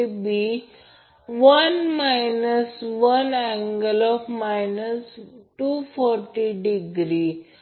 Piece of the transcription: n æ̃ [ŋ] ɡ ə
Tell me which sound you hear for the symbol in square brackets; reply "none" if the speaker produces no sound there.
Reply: ŋ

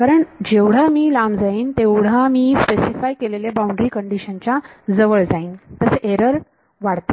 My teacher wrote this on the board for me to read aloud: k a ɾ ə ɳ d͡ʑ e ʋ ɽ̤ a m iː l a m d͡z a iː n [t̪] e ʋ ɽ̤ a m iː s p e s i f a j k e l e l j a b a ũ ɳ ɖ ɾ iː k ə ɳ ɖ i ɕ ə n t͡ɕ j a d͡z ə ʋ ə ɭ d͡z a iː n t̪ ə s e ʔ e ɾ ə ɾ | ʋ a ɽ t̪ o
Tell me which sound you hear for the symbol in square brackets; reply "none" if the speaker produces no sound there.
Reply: t̪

